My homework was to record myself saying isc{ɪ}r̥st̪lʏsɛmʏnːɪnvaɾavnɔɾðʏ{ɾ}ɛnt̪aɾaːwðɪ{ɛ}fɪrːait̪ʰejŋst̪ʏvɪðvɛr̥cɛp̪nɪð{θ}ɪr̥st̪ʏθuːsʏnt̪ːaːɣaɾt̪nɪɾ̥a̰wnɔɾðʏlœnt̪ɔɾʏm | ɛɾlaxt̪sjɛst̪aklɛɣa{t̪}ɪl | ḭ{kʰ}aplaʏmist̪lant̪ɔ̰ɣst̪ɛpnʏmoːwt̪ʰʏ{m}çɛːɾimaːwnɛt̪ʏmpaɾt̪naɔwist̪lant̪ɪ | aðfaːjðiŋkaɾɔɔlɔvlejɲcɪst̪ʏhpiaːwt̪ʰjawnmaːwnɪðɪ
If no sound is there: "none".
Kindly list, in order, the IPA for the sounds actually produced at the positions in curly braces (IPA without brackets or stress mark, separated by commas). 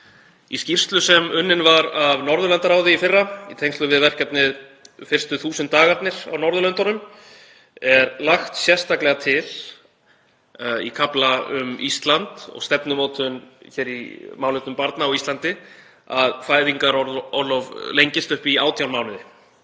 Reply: i, l, i, f, t̪ʰ, kʰ, n